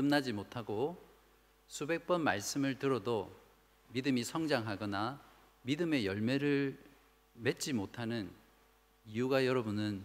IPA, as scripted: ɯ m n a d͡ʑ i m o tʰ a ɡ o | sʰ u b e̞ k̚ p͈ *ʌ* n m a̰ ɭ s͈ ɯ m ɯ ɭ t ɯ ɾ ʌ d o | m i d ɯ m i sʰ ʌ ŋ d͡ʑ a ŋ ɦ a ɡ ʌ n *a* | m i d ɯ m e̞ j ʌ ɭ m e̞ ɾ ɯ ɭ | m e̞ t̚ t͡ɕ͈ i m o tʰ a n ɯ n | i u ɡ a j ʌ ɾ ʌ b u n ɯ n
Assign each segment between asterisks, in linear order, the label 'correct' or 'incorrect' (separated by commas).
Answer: correct, correct